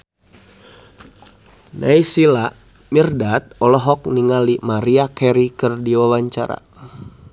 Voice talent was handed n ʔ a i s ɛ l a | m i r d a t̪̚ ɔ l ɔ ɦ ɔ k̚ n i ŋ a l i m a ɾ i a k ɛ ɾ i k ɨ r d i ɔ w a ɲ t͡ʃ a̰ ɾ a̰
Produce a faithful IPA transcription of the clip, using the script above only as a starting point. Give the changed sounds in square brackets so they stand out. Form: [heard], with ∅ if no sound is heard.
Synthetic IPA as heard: n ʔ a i s [i] l a | m i r d a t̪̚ ɔ l ɔ ɦ ɔ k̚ n i ŋ a l i m a ɾ i a k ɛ ɾ i k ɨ r d i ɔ w a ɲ t͡ʃ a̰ ɾ a̰